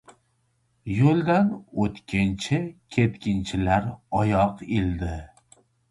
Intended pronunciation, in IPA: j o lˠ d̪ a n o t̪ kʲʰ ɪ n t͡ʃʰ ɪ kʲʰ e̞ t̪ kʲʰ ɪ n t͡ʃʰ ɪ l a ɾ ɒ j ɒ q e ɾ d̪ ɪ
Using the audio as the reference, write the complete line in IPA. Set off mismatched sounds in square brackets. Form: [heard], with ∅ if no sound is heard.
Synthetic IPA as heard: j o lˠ d̪ a n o t̪ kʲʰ ɪ n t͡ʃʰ ɪ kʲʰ e̞ t̪ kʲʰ ɪ n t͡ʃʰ ɪ l a ɾ ɒ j ɒ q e [l] d̪ ɪ